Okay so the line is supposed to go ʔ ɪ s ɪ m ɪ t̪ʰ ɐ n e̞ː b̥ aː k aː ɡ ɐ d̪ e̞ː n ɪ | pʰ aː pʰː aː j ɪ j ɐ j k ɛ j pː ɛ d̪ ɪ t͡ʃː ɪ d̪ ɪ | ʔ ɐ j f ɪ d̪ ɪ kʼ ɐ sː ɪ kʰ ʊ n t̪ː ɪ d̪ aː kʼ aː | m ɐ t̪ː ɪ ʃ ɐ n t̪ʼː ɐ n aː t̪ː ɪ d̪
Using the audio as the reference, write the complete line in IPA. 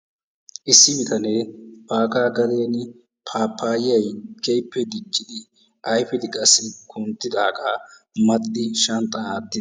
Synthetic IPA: ʔ ɪ sː ɪ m ɪ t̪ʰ ɐ n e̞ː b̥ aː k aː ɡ ɐ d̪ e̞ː n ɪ | pʰ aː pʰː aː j ɪ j ɐ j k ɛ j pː ɛ d̪ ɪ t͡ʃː ɪ d̪ ɪ | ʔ ɐ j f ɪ d̪ ɪ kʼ ɐ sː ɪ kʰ ʊ n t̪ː ɪ d̪ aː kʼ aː | m ɐ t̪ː ɪ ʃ ɐ n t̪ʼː ɐ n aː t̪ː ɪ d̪

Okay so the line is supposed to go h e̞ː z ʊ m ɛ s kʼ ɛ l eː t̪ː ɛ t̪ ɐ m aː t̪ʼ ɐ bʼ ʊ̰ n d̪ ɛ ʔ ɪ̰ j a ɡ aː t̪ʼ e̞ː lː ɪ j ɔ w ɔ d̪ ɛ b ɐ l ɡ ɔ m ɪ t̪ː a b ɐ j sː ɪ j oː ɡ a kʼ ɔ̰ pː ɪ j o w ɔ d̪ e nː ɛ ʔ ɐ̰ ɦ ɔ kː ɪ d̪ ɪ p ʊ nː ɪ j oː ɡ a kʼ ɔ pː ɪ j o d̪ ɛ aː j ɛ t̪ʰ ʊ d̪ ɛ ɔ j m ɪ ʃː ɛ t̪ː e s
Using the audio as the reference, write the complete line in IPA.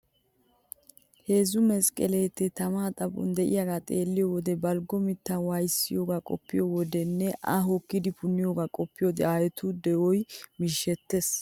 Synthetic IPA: h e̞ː z ʊ m ɛ s kʼ ɛ l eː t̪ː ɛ t̪ ɐ m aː t̪ʼ ɐ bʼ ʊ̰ n d̪ ɛ ʔ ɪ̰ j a ɡ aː t̪ʼ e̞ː lː ɪ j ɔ w ɔ d̪ ɛ b ɐ l ɡ ɔ m ɪ t̪ː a w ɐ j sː ɪ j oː ɡ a kʼ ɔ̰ pː ɪ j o w ɔ d̪ ɛ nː ɛ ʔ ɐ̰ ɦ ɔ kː ɪ d̪ ɪ p ʊ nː ɪ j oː ɡ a kʼ ɔ pː ɪ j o d̪ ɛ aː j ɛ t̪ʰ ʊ d̪ ɛ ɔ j m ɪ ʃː ɛ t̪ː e s

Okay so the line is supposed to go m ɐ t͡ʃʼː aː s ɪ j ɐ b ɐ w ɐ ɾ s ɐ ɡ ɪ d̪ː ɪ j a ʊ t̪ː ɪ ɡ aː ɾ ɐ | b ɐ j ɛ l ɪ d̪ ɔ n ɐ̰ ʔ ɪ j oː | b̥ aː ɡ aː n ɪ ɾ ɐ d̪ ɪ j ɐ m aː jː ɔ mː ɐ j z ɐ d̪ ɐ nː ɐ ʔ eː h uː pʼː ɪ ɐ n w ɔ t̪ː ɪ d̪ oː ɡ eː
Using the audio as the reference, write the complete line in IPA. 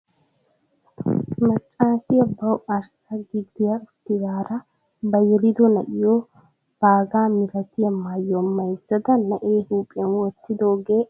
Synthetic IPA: m ɐ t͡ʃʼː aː s ɪ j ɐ b ɐ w ɐ ɾ s ɐ ɡ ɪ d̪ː ɪ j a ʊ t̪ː ɪ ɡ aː ɾ ɐ | b ɐ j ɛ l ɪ d̪ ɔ n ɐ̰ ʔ ɪ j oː | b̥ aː ɡ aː m ɪ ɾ ɐ t̪ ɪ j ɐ m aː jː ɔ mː ɐ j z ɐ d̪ ɐ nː ɐ ʔ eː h uː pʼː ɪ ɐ n w ɔ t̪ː ɪ d̪ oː ɡ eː

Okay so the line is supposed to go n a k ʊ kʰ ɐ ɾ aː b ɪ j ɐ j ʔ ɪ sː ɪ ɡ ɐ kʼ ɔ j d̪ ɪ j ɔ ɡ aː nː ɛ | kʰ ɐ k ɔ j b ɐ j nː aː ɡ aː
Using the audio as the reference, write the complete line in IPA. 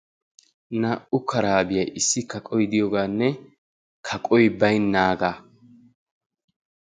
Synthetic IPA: n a ʔ ʊ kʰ ɐ ɾ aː b ɪ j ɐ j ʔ ɪ sː ɪ k ɐ kʼ ɔ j d̪ ɪ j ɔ ɡ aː nː ɛ | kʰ ɐ kʼ ɔ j b ɐ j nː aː ɡ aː

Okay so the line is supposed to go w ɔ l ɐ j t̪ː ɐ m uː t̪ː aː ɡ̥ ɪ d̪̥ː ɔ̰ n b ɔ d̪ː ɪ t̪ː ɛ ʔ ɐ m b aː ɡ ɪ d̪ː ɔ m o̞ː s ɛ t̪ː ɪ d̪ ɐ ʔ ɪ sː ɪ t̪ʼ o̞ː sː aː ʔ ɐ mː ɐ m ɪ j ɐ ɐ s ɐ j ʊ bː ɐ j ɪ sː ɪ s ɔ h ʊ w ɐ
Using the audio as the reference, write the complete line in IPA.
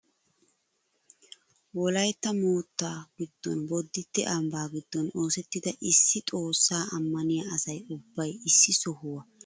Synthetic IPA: w ɔ l ɐ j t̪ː ɐ m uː t̪ː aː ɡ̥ ɪ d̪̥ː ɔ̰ n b ɔ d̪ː ɪ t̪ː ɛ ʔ ɐ m b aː ɡ ɪ d̪ː ɔ n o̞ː s ɛ t̪ː ɪ d̪ ɐ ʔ ɪ sː ɪ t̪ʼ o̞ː sː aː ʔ ɐ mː ɐ n ɪ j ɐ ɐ s ɐ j ʊ bː ɐ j ɪ sː ɪ s ɔ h ʊ w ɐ

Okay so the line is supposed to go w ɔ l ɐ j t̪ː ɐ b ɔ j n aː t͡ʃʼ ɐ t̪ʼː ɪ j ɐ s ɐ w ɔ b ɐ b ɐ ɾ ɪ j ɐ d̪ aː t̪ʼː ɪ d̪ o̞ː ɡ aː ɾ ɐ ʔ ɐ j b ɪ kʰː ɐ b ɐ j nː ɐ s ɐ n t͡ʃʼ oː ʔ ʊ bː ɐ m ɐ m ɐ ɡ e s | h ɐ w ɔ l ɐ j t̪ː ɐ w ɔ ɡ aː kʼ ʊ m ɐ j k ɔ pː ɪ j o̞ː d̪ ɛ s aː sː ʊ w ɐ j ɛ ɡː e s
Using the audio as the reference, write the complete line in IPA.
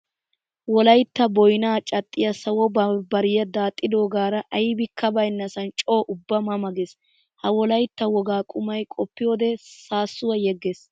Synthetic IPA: w ɔ l ɐ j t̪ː ɐ b ɔ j n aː t͡ʃʼ ɐ t̪ʼː ɪ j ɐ s ɐ w ɔ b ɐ b ɐ ɾ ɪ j ɐ d̪ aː t̪ʼː ɪ d̪ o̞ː ɡ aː ɾ ɐ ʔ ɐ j b ɪ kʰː ɐ b ɐ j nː ɐ s ɐ n t͡ʃʼ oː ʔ ʊ bː ɐ m ɐ m ɐ ɡ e s | h ɐ w ɔ l ɐ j t̪ː ɐ w ɔ ɡ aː kʼ ʊ m ɐ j kʼ ɔ pː ɪ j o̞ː d̪ ɛ s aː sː ʊ w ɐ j ɛ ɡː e s

